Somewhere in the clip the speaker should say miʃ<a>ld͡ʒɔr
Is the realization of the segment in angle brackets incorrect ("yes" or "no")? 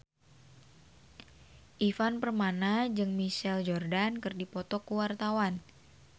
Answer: yes